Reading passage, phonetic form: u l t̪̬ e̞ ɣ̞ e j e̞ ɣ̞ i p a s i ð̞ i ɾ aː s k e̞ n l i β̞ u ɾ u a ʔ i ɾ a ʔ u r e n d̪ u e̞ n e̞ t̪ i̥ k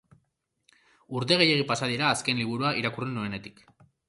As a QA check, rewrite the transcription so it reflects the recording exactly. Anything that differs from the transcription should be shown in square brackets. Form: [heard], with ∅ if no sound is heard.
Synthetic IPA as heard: u [ɾ] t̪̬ e̞ ɣ̞ e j e̞ ɣ̞ i p a s [a] ð̞ i ɾ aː s k e̞ n l i β̞ u ɾ u a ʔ i ɾ a [k] u r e n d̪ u e̞ n e̞ t̪ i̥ k